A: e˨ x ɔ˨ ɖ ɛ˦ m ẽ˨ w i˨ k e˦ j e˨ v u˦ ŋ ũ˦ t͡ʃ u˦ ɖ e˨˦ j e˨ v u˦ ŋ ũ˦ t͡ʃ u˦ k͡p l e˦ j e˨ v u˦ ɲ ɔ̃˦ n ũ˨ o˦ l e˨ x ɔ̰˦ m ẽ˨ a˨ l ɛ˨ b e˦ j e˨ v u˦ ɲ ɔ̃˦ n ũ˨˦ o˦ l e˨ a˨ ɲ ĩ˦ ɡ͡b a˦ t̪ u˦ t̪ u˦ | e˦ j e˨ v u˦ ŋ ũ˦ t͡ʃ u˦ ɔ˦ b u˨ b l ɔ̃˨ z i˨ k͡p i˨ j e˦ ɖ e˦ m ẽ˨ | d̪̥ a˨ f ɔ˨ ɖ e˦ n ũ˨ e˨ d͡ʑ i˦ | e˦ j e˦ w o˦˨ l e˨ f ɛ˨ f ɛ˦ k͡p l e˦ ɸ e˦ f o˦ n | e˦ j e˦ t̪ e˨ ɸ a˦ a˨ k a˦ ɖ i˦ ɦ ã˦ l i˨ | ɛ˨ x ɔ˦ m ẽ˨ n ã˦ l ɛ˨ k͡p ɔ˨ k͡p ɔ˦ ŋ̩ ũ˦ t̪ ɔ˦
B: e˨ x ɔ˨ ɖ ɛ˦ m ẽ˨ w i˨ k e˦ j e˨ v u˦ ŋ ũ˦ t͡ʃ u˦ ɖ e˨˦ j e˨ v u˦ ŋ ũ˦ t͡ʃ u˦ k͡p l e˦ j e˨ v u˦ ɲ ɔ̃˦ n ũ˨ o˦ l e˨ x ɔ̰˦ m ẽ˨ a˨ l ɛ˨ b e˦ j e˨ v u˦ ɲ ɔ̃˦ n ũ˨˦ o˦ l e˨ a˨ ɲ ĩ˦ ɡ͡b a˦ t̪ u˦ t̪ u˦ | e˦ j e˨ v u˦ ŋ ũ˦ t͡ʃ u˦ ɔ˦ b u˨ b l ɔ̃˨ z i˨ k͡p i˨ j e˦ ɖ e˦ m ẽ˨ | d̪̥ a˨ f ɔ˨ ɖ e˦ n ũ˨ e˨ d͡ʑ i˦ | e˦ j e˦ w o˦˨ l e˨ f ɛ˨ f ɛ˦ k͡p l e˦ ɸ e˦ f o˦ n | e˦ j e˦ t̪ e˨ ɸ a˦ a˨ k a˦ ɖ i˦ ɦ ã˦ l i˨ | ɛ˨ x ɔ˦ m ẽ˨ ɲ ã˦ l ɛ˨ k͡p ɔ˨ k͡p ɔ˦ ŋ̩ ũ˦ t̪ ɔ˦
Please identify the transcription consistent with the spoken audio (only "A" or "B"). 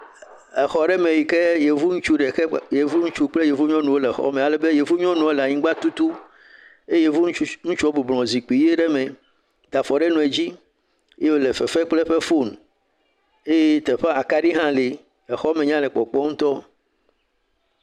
B